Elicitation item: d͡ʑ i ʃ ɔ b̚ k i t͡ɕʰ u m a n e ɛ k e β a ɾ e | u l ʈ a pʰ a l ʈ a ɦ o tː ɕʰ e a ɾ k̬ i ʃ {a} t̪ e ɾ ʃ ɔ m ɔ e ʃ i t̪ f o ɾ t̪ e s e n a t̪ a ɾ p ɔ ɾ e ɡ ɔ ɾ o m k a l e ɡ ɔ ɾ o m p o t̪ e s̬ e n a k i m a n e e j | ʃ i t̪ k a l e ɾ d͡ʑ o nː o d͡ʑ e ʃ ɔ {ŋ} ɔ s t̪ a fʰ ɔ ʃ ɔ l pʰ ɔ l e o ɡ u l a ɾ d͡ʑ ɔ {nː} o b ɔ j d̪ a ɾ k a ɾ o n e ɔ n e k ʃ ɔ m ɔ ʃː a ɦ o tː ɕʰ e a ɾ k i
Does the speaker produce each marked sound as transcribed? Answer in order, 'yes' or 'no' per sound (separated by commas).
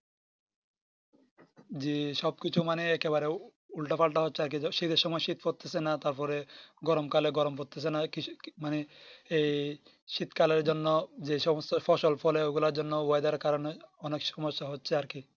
no, no, yes